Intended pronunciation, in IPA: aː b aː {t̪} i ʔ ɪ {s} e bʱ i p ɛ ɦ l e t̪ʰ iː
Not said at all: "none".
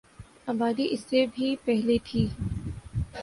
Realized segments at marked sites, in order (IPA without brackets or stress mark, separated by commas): d̪, sː